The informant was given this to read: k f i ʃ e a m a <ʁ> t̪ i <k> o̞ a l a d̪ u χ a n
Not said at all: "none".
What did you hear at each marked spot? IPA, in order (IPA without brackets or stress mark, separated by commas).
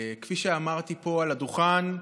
ʁ, p